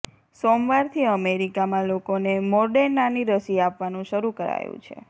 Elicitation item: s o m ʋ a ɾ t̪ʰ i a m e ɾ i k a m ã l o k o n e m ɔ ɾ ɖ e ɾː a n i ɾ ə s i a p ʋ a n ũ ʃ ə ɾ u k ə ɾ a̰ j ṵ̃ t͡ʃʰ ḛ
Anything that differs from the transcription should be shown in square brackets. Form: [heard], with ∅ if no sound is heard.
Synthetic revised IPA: s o m ʋ a ɾ t̪ʰ i [ə] m e ɾ i k a m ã l o k o n e m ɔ ɾ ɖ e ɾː a n i ɾ ə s i a p ʋ a n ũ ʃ ə ɾ u k ə ɾ a̰ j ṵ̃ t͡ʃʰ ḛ